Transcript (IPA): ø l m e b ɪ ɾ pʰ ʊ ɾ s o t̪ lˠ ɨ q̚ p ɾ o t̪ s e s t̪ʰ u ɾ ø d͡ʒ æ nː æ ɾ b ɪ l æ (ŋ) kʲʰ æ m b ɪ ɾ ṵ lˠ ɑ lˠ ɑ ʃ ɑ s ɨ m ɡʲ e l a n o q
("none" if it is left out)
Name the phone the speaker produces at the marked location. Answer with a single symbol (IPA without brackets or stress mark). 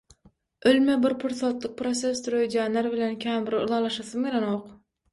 n